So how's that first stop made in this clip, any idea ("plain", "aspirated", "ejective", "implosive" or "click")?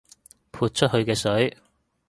aspirated